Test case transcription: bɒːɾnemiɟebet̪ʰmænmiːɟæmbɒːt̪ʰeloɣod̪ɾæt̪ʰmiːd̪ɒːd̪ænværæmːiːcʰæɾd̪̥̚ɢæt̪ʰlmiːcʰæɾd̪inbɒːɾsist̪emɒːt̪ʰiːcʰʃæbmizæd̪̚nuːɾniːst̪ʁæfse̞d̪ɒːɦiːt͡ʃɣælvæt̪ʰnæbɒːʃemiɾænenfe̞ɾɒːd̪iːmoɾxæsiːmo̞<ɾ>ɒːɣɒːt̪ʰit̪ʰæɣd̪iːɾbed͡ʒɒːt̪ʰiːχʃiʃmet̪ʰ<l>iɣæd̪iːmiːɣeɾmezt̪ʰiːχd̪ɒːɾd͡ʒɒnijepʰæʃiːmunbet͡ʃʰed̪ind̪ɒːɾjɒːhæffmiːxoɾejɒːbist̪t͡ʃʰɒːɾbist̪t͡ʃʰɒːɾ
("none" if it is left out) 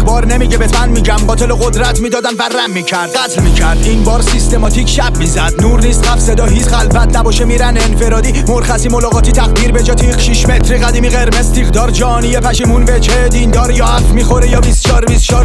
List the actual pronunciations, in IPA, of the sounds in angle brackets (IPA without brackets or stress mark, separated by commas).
l, ɾ